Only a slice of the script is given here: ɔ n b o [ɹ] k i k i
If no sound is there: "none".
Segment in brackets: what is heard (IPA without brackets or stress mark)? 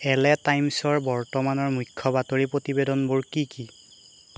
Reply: ɹ